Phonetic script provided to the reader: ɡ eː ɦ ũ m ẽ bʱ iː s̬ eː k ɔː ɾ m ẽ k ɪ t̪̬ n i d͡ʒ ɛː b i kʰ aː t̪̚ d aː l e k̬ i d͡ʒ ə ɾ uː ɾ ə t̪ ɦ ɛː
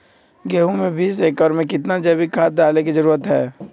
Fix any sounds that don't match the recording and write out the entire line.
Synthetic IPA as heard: ɡ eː ɦ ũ m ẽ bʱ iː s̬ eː k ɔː ɾ m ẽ k ɪ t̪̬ n a d͡ʒ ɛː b i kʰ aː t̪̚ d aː l e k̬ i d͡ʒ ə ɾ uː ɾ ə t̪ ɦ ɛː